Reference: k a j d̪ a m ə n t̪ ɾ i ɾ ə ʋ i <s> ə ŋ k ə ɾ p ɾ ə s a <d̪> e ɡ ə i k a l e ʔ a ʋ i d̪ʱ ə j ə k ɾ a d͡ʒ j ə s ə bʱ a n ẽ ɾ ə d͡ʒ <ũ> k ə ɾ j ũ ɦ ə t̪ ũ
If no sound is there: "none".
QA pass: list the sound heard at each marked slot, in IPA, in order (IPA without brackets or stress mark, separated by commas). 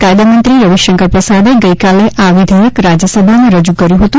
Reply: ʃ, d̪, u